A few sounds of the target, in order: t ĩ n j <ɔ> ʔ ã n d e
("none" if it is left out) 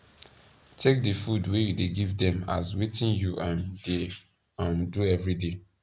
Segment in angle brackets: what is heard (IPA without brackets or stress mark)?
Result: u